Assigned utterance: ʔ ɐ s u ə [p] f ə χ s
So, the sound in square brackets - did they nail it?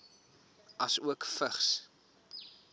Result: no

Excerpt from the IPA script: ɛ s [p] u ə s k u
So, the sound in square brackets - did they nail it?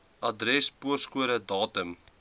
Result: yes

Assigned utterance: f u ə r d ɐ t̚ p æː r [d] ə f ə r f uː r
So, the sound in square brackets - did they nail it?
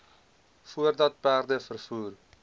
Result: yes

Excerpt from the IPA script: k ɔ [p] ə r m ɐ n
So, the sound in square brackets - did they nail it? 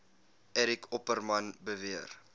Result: yes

